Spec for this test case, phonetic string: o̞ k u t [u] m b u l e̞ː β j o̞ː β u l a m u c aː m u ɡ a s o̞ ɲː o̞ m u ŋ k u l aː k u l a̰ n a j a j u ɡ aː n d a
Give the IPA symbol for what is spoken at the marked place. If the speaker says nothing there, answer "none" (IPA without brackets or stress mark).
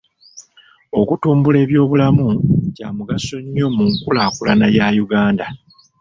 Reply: uː